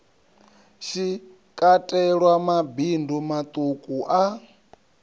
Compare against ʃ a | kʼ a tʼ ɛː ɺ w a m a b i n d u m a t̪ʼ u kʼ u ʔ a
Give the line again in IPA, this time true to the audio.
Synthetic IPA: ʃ i | kʼ a tʼ ɛ ɺ w a m a b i n d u m a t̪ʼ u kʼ u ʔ a